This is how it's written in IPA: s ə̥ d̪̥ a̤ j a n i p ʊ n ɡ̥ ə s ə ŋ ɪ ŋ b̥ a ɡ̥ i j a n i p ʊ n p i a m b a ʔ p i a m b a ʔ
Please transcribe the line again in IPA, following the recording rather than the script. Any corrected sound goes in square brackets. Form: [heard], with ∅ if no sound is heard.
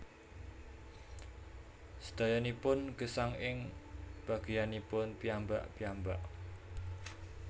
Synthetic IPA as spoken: s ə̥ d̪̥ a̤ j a n i p ʊ n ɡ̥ ə s [a] ŋ ɪ ŋ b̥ a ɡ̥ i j a n i p ʊ n p i a m b a ʔ p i a m b a ʔ